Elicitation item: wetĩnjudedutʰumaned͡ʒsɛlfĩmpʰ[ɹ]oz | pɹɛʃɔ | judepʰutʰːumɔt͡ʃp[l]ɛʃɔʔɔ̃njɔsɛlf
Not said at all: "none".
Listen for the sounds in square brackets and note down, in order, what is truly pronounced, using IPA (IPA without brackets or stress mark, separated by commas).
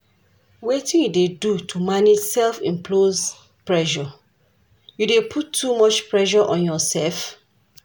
l, ɹ